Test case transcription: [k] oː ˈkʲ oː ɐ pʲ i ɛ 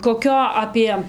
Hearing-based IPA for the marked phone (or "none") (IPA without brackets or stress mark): k